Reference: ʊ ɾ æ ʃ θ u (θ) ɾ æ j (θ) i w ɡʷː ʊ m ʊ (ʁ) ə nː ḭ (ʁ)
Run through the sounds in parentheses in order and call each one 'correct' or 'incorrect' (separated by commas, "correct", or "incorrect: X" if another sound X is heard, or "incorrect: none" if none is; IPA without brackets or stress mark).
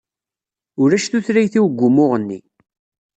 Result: correct, correct, correct, incorrect: none